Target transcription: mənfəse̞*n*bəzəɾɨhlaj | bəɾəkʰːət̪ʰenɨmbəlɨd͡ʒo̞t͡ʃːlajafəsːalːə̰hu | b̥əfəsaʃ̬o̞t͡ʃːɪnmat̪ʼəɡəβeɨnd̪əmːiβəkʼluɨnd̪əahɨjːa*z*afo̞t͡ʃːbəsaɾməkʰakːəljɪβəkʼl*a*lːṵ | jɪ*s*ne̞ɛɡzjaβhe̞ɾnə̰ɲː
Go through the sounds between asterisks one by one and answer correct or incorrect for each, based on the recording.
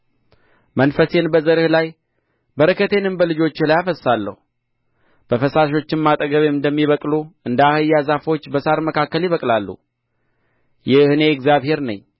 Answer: correct, correct, correct, incorrect: h

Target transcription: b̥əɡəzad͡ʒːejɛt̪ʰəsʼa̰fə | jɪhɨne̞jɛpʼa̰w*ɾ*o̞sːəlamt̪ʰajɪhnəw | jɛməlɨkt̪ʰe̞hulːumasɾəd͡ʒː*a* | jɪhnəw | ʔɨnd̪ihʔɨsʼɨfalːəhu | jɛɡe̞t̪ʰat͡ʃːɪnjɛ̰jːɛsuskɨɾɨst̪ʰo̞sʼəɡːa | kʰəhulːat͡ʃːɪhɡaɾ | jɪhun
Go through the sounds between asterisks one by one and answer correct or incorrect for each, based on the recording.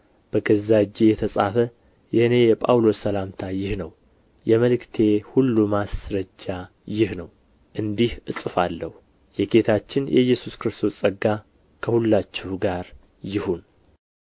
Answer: incorrect: l, correct

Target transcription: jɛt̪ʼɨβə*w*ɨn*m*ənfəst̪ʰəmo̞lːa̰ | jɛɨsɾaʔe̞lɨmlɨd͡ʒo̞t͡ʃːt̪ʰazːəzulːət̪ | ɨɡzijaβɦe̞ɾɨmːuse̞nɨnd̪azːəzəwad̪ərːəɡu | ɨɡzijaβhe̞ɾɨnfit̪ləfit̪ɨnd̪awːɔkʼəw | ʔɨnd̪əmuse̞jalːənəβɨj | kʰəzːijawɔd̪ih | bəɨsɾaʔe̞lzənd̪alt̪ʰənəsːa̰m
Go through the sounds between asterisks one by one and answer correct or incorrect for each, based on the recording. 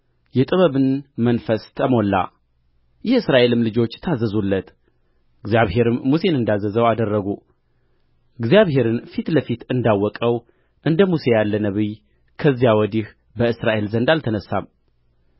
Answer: incorrect: β, correct

